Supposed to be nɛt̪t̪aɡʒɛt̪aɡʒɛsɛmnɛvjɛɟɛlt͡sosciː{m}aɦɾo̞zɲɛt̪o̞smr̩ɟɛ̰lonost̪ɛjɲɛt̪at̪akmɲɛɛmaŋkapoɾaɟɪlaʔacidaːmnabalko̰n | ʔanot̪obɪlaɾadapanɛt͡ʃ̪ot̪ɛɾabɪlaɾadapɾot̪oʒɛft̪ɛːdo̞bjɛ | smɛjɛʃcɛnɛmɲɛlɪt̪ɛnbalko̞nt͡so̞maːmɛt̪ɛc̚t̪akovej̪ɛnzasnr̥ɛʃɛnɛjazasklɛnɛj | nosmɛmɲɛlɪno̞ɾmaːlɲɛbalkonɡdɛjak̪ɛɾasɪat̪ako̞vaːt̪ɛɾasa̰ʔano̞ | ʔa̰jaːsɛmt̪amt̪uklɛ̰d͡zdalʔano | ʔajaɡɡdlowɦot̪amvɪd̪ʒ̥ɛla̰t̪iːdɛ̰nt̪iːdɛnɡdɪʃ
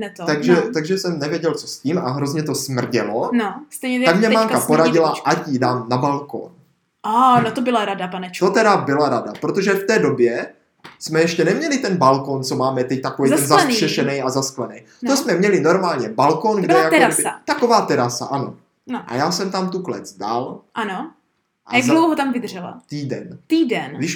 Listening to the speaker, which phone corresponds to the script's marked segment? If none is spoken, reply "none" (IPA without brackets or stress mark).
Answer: m